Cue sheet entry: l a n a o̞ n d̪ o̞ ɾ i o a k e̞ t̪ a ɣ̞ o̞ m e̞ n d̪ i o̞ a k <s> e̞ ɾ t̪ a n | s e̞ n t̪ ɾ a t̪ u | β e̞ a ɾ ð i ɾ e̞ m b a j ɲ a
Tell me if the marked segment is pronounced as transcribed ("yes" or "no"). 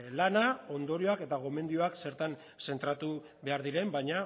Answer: yes